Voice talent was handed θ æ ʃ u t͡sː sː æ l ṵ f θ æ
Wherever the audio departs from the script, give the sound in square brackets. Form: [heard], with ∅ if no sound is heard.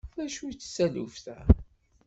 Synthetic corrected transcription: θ æ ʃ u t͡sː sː æ l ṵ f θ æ